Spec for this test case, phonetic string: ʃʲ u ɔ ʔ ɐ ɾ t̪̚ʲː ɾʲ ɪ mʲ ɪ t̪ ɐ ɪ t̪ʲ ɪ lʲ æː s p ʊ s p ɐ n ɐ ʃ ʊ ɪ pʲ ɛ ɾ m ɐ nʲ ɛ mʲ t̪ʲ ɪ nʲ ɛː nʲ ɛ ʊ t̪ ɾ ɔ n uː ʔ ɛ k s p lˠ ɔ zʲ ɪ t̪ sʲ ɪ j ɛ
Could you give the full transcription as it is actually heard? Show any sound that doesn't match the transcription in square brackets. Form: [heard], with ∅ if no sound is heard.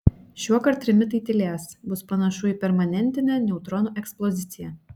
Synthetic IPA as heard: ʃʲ u ɔ [k] ɐ ɾ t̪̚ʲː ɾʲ ɪ mʲ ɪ t̪ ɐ ɪ t̪ʲ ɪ lʲ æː s [b] ʊ s p ɐ n ɐ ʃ ʊ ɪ pʲ ɛ ɾ m ɐ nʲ ɛ [nʲ] t̪ʲ ɪ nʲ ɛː nʲ ɛ ʊ t̪ ɾ ɔ n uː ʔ ɛ k s p lˠ ɔ zʲ ɪ t̪ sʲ ɪ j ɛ